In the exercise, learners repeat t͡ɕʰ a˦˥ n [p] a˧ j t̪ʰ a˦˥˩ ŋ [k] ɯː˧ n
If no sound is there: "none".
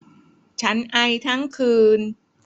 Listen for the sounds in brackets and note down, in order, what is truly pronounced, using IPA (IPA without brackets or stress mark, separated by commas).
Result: ʔ, kʰ